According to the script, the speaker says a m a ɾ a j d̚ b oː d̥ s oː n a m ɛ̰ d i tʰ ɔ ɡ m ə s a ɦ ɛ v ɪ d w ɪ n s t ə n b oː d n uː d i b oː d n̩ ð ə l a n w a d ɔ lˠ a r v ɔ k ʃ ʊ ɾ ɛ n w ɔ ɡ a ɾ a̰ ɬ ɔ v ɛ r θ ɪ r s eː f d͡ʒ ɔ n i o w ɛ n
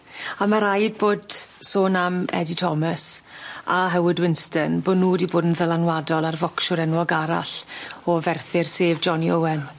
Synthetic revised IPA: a m a ɾ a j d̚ b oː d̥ s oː n a m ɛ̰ d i tʰ ɔ m ə s a ɦ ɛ w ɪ d w ɪ n s t ə n b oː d n uː d i b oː d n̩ ð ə l a n w a d ɔ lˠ a r v ɔ k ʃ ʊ ɾ ɛ n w ɔ ɡ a ɾ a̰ ɬ ɔ v ɛ r θ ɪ r s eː v d͡ʒ ɔ n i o w ɛ n